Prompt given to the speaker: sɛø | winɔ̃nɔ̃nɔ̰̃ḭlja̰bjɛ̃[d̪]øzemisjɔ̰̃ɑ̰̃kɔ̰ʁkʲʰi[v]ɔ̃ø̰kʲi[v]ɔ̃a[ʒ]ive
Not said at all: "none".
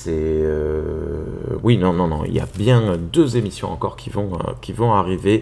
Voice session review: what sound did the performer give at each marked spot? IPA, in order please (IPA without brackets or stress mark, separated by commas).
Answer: d̪, v, v, ʁ